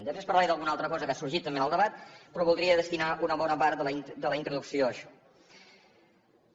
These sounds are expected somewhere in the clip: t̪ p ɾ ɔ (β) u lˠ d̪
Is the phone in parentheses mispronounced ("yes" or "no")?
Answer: no